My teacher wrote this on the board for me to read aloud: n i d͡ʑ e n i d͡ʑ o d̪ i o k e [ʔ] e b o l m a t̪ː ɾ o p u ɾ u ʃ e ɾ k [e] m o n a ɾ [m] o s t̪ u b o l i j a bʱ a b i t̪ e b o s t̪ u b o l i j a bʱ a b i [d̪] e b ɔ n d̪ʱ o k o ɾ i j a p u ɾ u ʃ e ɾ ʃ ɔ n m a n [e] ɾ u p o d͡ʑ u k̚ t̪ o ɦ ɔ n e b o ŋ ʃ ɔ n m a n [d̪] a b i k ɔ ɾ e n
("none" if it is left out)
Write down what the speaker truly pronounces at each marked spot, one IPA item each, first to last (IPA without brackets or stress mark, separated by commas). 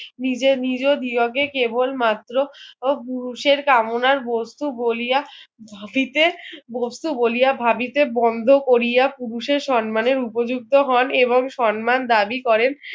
k, a, b, t̪, e, d̪